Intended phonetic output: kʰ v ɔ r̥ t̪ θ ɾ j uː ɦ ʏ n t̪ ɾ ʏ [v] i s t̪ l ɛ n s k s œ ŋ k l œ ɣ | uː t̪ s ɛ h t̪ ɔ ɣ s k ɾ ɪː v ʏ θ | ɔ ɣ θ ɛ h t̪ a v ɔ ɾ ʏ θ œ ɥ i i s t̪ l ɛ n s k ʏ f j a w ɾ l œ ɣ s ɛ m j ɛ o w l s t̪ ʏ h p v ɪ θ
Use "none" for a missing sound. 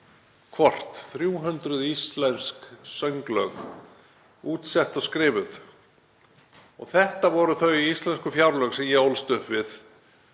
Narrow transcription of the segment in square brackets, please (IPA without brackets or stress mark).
ð